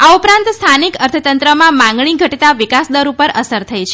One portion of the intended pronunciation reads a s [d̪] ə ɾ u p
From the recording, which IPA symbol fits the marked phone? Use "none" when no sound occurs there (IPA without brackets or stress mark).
d̪